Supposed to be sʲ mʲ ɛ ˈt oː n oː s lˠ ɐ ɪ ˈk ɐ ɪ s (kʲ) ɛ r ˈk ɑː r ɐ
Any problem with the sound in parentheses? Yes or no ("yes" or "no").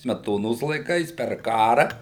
yes